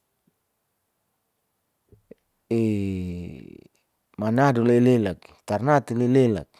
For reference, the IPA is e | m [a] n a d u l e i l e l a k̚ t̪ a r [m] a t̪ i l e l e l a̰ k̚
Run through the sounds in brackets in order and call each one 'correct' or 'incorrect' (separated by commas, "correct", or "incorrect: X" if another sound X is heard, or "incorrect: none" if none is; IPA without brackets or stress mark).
correct, incorrect: n